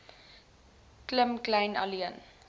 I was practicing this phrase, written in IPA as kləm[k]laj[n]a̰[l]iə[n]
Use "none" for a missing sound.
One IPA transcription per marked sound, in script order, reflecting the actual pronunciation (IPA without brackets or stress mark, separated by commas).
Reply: k, n, l, n